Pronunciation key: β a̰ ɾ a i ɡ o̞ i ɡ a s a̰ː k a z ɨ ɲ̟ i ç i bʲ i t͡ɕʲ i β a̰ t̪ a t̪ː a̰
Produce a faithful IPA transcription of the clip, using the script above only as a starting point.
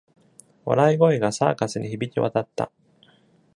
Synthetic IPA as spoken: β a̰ ɾ a i ɡ o̞ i ɡ a s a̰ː k a s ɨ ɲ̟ i ç i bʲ i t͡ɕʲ i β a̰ t̪ a t̪ː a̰